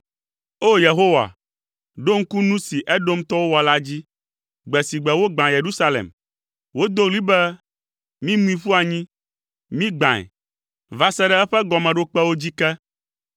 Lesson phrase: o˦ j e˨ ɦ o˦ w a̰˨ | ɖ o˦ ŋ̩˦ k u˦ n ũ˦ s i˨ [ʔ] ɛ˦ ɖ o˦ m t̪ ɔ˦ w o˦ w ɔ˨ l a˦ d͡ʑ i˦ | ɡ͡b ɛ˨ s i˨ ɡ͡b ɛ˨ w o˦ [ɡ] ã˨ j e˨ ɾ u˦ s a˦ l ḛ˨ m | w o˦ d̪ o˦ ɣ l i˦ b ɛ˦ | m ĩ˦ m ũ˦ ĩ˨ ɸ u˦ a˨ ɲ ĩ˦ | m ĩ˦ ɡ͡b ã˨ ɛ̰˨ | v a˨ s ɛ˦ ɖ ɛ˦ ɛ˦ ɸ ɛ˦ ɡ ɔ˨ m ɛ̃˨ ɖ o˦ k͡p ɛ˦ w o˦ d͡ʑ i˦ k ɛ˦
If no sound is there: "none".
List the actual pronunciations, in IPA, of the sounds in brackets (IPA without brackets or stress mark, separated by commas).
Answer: ʔ, ɡ͡b